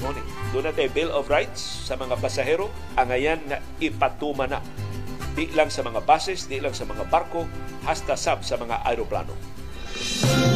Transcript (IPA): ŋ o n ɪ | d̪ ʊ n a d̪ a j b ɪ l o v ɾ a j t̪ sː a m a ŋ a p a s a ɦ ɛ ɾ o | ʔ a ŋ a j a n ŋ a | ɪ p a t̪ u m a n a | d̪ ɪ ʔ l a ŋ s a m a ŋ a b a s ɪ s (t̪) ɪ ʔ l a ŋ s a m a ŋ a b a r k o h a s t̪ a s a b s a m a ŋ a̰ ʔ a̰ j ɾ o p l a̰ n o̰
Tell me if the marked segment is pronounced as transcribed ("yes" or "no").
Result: no